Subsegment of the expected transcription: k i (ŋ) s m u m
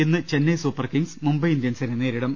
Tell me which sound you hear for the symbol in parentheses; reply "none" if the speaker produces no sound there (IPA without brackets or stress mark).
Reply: ŋ